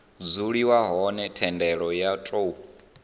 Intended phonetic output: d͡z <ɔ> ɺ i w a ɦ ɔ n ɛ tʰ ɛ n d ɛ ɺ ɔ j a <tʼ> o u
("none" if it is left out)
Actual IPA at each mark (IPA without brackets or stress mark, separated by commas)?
u, tʼ